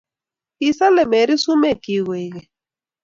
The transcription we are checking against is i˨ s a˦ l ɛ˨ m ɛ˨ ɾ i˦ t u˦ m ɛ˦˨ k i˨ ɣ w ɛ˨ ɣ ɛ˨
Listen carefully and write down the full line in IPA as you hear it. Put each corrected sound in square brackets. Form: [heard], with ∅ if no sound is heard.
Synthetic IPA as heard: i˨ s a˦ l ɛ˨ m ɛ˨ ɾ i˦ [s] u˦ m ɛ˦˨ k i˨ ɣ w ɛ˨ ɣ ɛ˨